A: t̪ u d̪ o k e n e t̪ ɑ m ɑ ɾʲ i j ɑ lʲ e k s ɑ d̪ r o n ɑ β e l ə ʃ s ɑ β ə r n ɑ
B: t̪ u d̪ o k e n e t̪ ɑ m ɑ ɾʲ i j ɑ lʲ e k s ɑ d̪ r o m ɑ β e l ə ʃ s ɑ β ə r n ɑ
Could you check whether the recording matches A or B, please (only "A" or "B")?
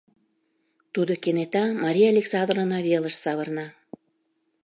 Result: A